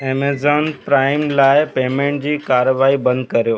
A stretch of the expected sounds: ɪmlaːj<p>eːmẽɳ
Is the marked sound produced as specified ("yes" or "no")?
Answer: yes